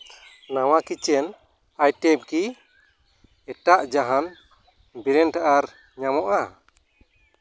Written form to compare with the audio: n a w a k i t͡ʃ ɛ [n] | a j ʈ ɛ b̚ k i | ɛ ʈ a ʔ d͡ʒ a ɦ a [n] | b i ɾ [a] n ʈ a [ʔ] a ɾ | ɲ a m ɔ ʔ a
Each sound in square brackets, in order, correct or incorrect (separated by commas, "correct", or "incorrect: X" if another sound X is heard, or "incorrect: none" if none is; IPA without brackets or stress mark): correct, correct, incorrect: ɛ, correct